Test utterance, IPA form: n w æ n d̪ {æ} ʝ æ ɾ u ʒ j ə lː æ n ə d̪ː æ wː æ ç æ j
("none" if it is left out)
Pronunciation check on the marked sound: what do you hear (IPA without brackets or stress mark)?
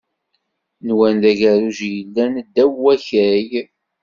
æ